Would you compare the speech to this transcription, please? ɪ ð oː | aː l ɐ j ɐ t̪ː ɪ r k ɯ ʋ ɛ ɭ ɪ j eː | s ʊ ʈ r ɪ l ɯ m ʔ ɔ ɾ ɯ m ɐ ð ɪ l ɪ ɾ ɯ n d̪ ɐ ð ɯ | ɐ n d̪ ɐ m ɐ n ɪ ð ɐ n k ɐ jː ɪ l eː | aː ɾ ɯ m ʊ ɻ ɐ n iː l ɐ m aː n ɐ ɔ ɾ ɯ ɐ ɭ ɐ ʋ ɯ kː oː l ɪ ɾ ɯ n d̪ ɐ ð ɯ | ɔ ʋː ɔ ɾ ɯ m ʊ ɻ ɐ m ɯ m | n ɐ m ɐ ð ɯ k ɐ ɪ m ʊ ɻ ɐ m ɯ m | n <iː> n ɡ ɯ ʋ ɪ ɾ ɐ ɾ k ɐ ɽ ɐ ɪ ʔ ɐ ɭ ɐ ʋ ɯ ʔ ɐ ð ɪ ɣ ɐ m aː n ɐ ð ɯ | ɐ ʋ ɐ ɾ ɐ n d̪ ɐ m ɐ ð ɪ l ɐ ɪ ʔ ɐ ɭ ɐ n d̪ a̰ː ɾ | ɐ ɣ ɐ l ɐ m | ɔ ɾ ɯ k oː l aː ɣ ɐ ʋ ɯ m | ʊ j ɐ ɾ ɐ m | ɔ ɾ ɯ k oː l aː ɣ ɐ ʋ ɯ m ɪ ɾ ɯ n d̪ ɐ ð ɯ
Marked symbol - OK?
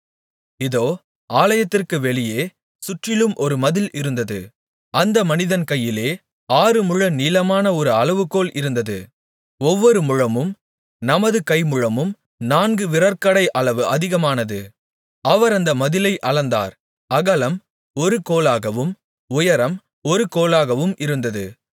no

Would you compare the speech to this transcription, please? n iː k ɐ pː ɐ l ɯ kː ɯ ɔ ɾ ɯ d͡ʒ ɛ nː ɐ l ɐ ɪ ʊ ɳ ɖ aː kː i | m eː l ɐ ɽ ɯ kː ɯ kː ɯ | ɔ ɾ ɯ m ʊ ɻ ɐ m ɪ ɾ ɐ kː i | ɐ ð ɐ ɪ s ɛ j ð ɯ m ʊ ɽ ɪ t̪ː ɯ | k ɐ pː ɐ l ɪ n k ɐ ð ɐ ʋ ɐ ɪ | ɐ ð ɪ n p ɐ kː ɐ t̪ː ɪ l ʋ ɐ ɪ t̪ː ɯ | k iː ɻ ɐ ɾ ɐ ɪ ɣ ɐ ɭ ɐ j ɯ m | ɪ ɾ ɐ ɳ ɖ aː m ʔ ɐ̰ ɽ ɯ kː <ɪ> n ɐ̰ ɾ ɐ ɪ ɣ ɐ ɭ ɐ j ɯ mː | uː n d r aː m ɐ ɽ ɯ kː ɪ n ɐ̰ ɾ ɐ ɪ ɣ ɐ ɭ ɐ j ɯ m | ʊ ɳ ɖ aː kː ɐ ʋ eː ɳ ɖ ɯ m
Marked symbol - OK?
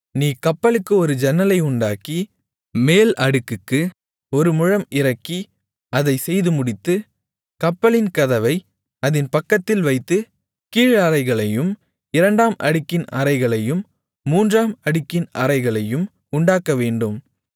yes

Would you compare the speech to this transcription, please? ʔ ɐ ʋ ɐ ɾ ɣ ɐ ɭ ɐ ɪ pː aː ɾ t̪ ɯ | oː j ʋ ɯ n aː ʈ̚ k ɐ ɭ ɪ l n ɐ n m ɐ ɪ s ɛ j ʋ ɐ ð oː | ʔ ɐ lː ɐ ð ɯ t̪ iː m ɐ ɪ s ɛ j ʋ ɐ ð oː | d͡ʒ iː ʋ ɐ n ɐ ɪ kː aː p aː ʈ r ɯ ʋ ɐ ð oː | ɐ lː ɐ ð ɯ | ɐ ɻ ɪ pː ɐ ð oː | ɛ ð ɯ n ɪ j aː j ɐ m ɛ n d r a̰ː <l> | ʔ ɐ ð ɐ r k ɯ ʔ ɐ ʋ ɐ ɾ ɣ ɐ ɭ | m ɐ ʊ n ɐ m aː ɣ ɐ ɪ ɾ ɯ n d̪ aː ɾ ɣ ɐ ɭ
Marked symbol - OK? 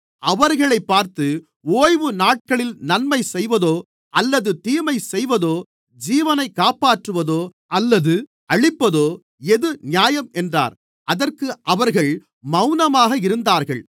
no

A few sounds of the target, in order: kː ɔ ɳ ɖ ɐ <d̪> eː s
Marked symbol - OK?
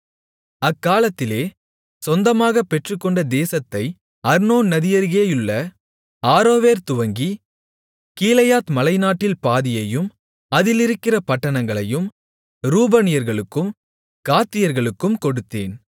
yes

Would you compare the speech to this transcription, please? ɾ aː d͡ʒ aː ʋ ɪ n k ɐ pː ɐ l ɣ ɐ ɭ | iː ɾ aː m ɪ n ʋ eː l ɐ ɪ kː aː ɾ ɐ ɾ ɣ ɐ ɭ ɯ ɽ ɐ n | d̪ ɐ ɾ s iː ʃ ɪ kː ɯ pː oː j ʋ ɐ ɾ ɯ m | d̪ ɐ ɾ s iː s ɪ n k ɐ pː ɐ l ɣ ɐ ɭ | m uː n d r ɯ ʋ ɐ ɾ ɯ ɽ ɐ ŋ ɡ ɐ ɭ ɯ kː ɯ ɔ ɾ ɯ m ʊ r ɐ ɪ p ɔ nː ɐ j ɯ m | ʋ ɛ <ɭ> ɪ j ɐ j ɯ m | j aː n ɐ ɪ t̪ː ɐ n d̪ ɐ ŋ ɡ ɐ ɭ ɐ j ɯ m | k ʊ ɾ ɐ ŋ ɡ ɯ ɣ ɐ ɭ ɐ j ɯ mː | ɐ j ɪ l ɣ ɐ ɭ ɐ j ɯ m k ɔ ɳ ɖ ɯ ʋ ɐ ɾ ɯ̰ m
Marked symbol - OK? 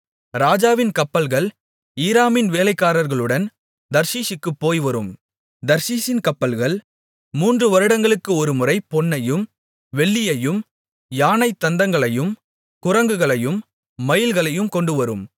no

